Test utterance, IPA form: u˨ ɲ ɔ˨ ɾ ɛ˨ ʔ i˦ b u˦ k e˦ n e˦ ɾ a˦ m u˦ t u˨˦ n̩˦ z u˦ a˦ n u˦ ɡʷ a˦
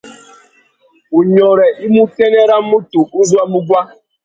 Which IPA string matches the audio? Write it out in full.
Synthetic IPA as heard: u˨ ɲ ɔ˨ ɾ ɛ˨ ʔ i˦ m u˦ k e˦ n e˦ ɾ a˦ m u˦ t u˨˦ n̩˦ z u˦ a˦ m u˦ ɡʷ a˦

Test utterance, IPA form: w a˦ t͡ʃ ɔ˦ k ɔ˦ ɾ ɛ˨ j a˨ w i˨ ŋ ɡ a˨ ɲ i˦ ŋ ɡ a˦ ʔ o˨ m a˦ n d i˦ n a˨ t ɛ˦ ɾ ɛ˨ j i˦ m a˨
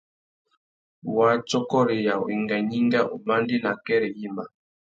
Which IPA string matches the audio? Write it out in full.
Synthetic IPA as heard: w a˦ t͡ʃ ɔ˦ k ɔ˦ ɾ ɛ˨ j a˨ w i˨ ŋ ɡ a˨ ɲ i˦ ŋ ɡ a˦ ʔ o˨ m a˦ n d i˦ n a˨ k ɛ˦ ɾ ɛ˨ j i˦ m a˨

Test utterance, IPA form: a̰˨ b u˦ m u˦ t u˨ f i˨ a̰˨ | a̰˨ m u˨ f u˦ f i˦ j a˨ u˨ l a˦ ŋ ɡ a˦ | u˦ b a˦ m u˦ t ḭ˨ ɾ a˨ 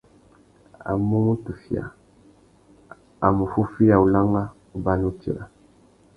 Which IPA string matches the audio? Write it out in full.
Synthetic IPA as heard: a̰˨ m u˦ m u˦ t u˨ f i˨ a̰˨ | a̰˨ m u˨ f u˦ f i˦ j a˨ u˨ l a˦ ŋ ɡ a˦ | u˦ b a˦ n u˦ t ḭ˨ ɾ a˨

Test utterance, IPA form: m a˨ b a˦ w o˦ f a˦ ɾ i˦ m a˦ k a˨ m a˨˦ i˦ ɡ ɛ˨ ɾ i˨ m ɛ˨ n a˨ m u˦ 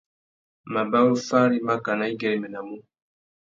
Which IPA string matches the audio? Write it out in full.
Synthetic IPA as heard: m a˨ b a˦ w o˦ f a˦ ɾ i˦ m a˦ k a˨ n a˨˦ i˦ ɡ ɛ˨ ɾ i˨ m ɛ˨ n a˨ m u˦

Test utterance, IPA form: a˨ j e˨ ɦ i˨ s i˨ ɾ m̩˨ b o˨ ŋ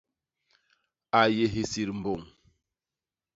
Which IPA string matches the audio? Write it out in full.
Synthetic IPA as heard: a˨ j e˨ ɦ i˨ s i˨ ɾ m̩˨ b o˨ ŋ

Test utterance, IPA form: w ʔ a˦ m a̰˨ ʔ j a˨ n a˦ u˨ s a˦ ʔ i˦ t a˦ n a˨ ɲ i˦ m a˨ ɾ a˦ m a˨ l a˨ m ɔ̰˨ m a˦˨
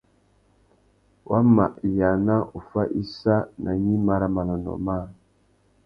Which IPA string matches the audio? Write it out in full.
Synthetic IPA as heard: w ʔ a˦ m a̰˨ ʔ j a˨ n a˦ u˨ f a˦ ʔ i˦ s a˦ n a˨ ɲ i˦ m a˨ ɾ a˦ m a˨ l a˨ n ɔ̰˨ m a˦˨

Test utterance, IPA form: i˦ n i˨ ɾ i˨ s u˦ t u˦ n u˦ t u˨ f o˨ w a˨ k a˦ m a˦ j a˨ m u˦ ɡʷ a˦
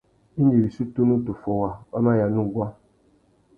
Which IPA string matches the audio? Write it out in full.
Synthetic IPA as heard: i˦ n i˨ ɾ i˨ s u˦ t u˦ n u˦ t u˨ f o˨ w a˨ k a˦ m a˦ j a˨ n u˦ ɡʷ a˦

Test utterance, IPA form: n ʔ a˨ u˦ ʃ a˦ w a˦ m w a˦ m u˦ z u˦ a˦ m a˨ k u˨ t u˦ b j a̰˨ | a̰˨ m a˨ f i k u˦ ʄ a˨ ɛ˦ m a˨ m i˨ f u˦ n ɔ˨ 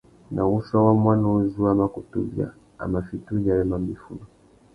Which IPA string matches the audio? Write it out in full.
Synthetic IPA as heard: n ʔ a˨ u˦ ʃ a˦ w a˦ m w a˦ n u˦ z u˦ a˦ m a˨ k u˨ t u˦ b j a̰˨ | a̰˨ m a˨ f i t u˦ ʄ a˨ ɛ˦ m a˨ m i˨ f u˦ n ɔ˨

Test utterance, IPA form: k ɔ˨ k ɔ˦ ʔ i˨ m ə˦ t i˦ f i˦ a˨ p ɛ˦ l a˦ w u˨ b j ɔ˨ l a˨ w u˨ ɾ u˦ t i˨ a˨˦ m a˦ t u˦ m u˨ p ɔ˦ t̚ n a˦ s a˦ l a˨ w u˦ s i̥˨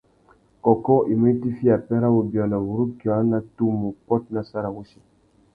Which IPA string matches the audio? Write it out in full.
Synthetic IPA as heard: k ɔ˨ k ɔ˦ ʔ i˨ m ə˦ t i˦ f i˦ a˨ p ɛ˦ ɾ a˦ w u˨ b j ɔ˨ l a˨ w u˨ ɾ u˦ k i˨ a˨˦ n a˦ t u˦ m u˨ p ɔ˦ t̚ n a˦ s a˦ ɾ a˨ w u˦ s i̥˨

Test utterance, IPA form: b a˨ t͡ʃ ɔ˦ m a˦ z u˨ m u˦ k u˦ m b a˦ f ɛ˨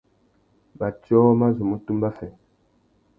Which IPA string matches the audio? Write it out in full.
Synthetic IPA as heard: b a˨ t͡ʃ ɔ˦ m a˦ z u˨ m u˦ t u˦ m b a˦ f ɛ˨

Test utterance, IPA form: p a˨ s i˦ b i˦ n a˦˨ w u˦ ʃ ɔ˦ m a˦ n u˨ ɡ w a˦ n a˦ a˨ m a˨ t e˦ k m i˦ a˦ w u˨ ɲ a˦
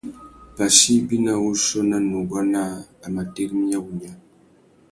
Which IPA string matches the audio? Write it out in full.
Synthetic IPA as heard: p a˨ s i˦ b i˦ n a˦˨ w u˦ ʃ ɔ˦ n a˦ n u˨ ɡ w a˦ n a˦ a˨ m a˨ t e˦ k m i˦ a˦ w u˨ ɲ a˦

